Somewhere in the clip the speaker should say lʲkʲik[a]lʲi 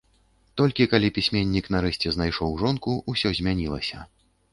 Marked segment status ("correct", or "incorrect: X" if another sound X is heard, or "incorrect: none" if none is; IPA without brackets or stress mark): correct